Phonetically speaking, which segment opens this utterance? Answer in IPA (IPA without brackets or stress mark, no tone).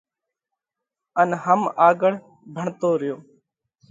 ə